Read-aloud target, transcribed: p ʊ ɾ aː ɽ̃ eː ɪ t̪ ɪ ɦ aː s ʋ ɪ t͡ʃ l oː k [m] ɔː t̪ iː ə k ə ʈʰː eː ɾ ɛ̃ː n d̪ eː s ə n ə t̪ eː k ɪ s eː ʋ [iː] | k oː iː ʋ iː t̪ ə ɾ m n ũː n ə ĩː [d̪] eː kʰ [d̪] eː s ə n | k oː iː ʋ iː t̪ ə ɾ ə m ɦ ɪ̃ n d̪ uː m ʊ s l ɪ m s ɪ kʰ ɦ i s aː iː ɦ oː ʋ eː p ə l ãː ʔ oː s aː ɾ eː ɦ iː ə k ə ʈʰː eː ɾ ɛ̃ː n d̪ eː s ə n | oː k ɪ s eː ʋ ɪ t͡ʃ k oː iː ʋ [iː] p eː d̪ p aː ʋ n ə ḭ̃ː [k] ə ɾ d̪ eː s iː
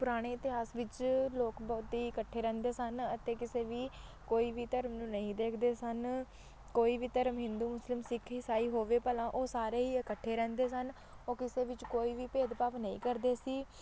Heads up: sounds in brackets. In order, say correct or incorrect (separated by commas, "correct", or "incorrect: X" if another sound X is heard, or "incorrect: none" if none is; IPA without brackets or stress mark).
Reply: incorrect: b, correct, correct, correct, correct, correct